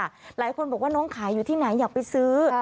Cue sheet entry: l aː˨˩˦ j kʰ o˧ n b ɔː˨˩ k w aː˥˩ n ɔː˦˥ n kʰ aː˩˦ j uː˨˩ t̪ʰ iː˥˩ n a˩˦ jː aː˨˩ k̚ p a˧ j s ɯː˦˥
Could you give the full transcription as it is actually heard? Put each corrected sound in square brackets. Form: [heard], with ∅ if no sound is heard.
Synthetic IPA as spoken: l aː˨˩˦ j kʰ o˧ n b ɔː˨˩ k w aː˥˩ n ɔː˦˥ [ŋ] kʰ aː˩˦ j uː˨˩ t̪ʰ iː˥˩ n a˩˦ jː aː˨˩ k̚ p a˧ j s ɯː˦˥